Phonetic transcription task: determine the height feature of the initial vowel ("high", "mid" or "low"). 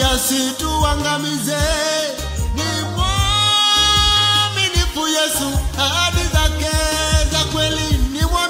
low